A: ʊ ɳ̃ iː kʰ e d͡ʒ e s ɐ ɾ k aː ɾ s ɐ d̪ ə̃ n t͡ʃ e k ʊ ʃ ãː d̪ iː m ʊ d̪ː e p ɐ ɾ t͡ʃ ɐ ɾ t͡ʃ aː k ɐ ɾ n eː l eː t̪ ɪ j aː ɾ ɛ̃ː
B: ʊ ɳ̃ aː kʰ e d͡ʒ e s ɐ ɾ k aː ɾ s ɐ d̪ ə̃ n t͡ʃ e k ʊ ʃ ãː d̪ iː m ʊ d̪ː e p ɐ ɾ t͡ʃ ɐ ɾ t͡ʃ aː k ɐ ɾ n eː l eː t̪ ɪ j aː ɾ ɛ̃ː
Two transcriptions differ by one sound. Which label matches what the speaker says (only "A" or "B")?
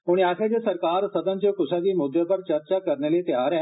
B